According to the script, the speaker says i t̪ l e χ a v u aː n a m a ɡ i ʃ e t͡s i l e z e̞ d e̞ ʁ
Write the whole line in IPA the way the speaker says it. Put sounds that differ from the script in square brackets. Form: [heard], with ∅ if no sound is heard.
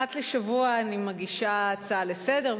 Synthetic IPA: [a] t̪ l e [ʃ] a v u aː n [i] m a ɡ i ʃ [a] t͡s [a] l e [s] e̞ d e̞ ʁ